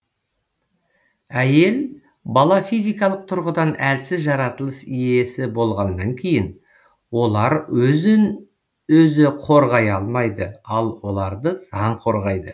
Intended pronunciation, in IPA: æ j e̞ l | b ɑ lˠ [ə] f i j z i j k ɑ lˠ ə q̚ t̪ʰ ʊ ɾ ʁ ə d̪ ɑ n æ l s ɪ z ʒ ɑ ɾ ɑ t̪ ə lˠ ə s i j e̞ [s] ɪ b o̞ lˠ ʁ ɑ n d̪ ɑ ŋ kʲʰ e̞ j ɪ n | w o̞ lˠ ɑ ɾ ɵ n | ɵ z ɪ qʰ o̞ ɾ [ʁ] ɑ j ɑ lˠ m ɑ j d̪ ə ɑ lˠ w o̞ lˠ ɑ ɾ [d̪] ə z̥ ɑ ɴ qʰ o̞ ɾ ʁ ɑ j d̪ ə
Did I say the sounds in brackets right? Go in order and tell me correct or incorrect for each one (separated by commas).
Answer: incorrect, correct, correct, correct